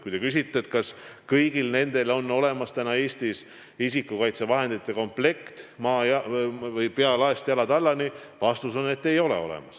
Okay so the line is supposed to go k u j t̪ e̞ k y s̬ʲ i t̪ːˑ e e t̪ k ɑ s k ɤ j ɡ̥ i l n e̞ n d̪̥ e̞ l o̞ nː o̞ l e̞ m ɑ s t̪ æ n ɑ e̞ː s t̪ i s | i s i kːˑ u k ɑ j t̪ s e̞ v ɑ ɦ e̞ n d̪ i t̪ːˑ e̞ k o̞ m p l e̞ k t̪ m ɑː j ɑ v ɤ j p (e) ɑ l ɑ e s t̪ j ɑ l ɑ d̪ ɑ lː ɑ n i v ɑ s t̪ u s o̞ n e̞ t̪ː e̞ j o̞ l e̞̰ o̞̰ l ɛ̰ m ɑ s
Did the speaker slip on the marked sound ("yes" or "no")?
no